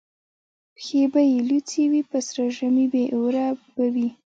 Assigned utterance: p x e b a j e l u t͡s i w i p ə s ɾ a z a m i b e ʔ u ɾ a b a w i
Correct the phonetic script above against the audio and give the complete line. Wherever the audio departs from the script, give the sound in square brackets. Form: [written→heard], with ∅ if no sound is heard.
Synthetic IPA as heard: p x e b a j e l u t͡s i w i p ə s ɾ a [z→ʒ] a m i b e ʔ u ɾ a b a w i